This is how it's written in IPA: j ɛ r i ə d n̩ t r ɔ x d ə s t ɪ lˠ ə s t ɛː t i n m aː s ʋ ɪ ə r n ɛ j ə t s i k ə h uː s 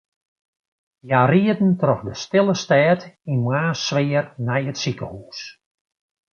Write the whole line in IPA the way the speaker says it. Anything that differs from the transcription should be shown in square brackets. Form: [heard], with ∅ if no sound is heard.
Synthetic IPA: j [a] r i ə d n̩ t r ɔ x d ə s t ɪ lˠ ə s t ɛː t i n m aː s ʋ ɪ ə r n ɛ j ə t s i k ə h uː s